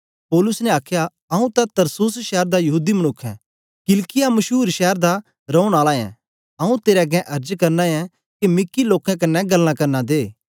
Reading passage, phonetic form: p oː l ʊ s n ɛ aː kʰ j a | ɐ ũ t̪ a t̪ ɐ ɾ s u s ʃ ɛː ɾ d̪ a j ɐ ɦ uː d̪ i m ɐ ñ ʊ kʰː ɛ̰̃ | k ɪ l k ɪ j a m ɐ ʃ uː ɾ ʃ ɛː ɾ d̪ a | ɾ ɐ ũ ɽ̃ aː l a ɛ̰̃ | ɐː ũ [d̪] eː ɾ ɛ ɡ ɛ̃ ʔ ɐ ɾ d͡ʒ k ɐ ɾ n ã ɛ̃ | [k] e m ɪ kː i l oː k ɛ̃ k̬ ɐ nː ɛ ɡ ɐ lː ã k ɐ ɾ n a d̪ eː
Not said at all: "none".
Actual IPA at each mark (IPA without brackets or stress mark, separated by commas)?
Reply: t̪, k